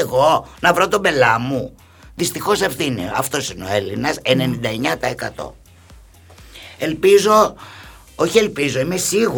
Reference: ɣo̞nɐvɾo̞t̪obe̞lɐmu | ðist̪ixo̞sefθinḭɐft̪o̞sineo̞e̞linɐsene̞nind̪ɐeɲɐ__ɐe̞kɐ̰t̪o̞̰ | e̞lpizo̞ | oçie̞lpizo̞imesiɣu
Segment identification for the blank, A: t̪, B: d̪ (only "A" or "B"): A